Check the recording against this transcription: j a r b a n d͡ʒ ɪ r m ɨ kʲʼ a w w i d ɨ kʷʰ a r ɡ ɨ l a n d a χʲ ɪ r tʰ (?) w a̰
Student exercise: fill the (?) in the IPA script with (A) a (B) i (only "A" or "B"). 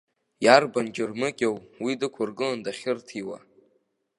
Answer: B